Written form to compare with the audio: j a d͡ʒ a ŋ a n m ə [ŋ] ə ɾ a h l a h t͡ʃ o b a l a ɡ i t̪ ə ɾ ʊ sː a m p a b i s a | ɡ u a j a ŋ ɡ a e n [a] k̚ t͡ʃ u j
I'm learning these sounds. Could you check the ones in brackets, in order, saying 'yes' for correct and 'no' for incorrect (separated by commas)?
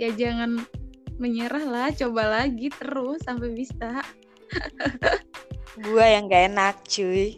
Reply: no, yes